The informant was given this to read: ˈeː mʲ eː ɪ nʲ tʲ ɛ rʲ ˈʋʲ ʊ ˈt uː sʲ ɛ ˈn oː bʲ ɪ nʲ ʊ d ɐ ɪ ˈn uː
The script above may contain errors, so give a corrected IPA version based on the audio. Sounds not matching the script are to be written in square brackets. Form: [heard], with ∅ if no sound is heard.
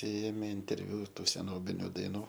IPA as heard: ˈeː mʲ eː ɪ nʲ tʲ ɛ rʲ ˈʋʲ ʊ ˈt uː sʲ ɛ ˈn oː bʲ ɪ nʲ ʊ d ɐ ɪ ˈn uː